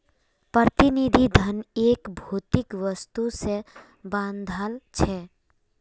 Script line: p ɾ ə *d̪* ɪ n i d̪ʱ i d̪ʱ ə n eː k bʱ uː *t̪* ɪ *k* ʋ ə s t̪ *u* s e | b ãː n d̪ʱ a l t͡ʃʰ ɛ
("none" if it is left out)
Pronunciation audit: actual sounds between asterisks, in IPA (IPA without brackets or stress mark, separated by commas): t̪, t̪, k, u